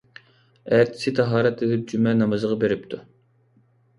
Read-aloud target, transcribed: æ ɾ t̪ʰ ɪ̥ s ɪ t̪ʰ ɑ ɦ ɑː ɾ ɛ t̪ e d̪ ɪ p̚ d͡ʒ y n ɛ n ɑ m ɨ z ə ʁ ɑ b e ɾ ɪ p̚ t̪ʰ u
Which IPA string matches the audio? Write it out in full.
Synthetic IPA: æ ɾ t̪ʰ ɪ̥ s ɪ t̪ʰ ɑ ɦ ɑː ɾ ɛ t̪ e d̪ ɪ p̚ d͡ʒ y m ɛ n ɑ m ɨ z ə ʁ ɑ b e ɾ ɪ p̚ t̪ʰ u